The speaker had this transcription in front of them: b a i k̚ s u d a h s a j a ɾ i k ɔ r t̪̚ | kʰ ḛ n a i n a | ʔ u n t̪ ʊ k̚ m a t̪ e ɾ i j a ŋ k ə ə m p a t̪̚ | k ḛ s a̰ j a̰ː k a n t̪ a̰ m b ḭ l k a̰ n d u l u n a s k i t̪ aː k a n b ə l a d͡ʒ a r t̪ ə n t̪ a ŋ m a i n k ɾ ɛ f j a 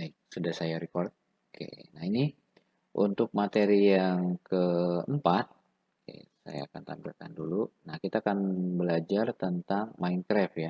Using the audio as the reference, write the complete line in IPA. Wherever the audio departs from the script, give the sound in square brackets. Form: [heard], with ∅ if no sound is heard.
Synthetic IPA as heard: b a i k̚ s u d a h s a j a ɾ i k ɔ r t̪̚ | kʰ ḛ n a i n [i] | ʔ u n t̪ ʊ k̚ m a t̪ e ɾ i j a ŋ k ə ə m p a t̪̚ | k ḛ s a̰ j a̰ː k a n t̪ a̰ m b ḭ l k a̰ n d u l u n a [h] k i t̪ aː k a n b ə l a d͡ʒ a r t̪ ə n t̪ a ŋ m a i n k ɾ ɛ f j a